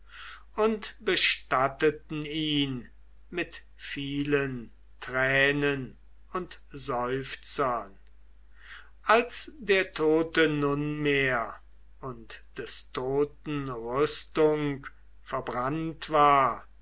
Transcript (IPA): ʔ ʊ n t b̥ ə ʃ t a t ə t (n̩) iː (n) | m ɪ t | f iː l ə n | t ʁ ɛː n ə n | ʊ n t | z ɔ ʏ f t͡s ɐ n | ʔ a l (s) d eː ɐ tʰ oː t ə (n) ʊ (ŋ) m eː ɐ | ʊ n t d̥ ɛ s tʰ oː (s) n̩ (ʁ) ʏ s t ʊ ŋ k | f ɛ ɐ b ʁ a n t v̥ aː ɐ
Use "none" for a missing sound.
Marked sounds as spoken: n̩, n, s, n, n, t, ʁ

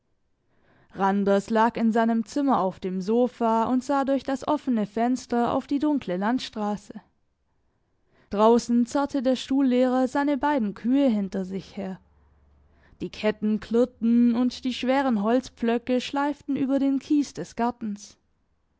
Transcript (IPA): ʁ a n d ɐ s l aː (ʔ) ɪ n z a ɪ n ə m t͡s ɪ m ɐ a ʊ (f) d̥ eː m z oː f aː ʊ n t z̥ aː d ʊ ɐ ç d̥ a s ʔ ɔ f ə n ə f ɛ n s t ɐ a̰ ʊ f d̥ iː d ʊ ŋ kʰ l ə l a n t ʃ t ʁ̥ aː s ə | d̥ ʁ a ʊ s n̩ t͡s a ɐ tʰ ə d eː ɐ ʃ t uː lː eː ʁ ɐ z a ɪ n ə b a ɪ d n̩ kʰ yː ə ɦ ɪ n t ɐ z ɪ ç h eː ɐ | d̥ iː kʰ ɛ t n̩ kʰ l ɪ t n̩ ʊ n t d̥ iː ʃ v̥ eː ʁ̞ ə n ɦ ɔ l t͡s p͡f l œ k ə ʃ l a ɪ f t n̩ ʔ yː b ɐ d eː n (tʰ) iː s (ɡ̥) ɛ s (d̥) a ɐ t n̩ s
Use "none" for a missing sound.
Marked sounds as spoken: k, f, kʰ, d̥, ɡ̥

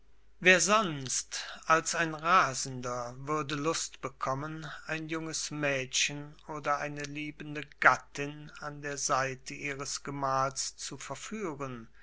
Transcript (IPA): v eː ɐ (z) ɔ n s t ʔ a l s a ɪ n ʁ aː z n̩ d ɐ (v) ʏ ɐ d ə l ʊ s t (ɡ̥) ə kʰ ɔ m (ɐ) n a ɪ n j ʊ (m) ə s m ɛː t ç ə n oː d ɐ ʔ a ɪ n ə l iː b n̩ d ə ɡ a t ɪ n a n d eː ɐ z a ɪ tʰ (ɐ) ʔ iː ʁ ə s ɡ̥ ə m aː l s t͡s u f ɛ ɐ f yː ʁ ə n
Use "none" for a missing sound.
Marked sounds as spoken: z, v, b̥, ə, ŋ, ə

